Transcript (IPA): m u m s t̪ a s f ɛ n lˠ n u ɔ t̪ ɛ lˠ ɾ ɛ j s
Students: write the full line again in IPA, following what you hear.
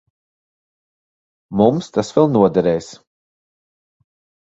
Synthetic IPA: m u m s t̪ a s v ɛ lˠ n u ɔ d̪ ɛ ɾ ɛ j s